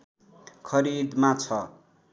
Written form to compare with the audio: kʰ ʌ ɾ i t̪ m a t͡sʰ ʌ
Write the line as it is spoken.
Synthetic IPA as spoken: kʰ ʌ ɾ i d̪ m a t͡sʰ ʌ